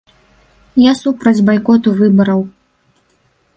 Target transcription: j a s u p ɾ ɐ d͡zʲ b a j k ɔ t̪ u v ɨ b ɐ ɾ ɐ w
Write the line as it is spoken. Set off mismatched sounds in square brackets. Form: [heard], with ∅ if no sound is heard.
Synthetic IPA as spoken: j a s u p ɾ ɐ d͡zʲ b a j k ɔ t̪ u v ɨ b ɐ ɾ ɐ w